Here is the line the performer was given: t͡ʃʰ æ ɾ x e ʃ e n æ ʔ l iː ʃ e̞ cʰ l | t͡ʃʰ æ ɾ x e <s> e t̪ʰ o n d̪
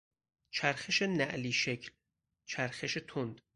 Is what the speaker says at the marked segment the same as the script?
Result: no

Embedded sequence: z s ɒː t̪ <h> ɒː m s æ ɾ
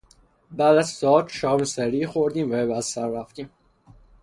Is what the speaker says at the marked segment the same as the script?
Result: no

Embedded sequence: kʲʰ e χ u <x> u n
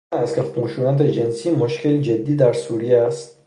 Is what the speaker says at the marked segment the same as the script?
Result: no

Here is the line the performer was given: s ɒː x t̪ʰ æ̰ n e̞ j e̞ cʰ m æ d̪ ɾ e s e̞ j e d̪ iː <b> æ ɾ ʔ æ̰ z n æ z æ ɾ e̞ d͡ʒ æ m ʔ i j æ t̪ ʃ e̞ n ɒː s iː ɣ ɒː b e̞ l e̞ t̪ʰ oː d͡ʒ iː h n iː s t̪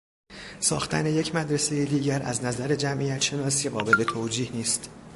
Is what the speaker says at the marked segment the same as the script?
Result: no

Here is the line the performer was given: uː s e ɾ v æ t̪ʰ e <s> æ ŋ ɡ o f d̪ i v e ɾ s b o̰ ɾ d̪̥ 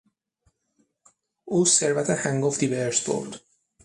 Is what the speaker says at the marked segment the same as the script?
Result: no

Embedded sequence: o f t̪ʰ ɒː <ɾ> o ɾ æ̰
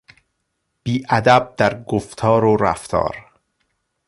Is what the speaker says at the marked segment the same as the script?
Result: yes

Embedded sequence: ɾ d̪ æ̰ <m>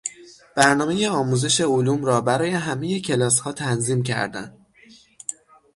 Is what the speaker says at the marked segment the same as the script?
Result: no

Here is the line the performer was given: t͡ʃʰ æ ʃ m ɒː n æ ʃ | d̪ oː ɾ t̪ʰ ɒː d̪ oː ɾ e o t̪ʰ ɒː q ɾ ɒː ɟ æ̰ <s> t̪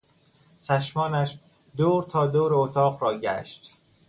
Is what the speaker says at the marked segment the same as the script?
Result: no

